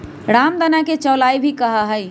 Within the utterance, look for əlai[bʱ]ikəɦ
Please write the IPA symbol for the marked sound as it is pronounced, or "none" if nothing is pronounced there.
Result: bʱ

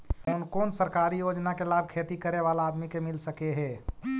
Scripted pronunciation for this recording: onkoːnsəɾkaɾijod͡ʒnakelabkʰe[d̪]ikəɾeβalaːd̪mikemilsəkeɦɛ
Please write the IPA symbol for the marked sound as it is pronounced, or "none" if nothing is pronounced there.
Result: t̪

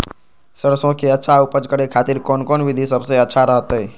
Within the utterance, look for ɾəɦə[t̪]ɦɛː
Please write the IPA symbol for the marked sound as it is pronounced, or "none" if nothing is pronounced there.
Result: t̪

